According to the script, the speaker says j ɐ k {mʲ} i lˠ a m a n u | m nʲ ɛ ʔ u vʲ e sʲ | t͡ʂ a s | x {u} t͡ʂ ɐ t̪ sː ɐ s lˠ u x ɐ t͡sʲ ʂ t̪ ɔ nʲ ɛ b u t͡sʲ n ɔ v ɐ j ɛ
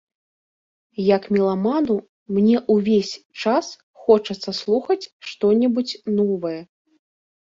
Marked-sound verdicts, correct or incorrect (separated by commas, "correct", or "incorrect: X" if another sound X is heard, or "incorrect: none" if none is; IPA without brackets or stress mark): correct, incorrect: ɔ